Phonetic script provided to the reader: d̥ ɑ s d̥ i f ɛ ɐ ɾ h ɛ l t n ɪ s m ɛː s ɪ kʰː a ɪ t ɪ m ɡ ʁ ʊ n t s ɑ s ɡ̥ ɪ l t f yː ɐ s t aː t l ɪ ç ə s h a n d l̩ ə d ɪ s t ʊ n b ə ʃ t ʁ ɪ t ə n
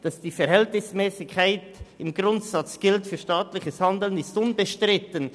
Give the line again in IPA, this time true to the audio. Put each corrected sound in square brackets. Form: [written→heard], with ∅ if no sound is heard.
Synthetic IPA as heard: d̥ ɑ s d̥ [i→iː] f ɛ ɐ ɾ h ɛ l t n ɪ s m ɛː s ɪ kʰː a ɪ t ɪ m ɡ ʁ ʊ n t s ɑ [s→t͡s] ɡ̥ ɪ l t f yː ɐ [s→ʃ] t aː t l ɪ ç ə s h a n d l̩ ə [d→n] ɪ s t ʊ n b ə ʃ t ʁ ɪ t ə n